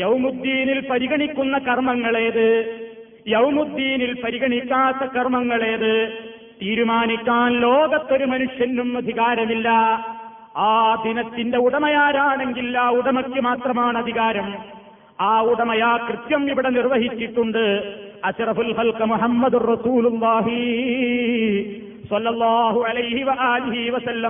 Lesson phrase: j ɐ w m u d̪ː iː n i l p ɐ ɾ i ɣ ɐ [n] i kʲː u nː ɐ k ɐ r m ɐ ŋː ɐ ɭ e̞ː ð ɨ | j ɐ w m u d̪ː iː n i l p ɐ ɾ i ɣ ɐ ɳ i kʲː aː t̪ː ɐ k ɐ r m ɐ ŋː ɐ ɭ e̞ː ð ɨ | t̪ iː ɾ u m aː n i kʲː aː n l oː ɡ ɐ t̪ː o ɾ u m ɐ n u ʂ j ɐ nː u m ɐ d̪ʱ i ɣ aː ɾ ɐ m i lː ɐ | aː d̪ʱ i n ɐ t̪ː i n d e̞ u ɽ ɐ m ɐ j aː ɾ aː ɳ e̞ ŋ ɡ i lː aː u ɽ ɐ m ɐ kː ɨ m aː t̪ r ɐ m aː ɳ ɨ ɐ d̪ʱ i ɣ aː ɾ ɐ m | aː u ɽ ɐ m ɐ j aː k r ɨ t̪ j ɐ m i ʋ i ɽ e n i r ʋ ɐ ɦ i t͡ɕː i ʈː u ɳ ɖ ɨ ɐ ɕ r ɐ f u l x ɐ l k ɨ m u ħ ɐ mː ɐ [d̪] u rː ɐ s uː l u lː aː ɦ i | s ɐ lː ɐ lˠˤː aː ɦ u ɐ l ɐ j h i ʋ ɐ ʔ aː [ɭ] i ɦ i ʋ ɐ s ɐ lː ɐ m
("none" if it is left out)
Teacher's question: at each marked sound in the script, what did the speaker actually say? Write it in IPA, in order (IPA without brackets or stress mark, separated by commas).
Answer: ɳ, d̪, l